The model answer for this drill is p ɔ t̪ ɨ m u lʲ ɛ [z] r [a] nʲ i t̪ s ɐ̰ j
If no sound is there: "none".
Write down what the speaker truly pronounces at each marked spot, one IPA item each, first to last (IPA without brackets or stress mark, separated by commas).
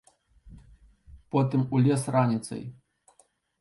s, a